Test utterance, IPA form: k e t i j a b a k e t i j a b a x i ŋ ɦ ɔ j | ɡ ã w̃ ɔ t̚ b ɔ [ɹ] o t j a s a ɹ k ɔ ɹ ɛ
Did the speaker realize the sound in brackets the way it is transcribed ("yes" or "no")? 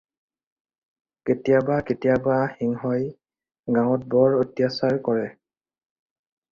yes